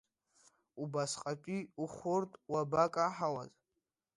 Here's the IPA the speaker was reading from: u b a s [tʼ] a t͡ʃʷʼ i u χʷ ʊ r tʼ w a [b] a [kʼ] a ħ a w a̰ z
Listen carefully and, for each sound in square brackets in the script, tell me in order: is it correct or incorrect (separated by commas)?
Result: incorrect, correct, correct